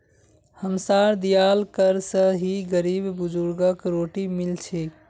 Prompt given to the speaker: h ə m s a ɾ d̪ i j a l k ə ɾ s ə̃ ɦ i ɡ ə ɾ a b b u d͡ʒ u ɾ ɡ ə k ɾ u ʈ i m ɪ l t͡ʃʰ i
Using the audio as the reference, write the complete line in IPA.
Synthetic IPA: h ə m s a ɾ d̪ i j a l k ə ɾ s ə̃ ɦ i ɡ ə ɾ i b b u d͡ʒ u ɾ ɡ ə k ɾ o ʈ i m i l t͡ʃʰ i